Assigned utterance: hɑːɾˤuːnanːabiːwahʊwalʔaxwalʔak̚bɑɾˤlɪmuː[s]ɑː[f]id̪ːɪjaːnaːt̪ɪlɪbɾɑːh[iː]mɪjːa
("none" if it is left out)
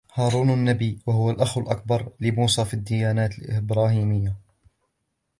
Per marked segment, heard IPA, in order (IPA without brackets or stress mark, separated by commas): s, f, iː